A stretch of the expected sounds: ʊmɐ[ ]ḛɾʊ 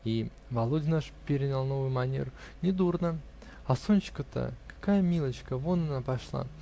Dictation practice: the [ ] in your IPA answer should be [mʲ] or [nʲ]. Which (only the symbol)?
nʲ